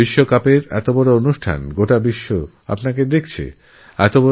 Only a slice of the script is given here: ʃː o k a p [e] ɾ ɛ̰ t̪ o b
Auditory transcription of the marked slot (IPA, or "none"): e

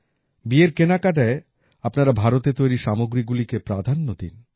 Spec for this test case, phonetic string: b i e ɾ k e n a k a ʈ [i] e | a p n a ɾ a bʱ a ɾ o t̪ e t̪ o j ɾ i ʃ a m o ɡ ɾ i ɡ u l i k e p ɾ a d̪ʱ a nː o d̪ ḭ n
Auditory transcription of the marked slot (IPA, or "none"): a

